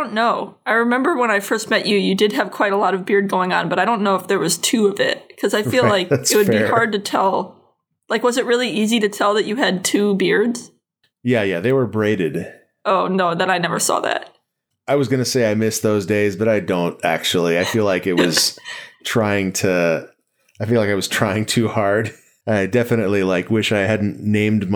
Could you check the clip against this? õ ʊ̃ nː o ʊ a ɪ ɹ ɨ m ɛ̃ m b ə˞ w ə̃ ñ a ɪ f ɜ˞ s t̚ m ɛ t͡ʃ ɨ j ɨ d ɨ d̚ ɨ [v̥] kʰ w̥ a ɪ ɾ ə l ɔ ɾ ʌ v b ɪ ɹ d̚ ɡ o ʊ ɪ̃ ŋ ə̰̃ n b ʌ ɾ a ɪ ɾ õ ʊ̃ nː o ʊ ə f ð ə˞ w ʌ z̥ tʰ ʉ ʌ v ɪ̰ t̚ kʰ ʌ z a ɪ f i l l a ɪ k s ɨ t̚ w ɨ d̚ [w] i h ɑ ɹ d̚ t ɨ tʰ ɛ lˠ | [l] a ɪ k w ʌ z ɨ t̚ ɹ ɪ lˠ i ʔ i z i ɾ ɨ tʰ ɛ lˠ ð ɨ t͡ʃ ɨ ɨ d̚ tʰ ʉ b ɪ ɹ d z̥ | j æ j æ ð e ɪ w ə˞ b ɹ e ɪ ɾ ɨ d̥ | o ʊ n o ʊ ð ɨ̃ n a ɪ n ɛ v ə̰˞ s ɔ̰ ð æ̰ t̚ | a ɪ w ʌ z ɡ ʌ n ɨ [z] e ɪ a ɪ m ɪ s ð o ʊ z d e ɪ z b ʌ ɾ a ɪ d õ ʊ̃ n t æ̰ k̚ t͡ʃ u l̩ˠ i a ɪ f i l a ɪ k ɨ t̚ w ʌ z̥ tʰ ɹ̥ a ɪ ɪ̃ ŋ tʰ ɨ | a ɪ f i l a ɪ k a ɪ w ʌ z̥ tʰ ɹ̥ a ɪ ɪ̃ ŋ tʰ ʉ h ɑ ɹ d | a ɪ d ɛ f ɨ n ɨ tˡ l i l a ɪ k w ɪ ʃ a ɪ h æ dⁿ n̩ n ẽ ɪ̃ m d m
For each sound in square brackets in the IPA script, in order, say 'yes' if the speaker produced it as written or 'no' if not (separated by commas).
yes, no, yes, no